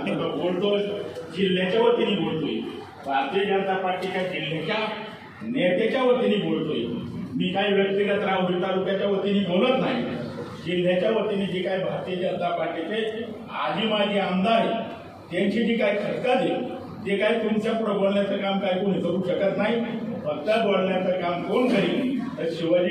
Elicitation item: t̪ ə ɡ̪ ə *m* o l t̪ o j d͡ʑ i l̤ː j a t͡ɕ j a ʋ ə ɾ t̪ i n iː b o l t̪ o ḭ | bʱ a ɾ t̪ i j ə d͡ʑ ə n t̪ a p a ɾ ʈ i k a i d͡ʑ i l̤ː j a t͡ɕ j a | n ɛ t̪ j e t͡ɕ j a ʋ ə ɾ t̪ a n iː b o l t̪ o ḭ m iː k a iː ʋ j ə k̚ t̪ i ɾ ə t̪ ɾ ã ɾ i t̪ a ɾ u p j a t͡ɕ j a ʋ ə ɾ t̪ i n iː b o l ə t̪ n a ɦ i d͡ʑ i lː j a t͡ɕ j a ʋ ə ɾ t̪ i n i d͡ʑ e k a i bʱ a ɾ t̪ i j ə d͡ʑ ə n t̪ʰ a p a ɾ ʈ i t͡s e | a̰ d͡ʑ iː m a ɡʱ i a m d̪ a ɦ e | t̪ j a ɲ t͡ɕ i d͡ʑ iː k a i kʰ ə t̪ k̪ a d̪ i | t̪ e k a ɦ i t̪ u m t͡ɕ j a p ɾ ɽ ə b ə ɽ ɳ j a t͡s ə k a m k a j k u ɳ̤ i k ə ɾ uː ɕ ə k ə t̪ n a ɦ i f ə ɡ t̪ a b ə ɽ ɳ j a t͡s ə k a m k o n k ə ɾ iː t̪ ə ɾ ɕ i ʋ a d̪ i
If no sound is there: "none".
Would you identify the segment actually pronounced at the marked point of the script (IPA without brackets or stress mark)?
b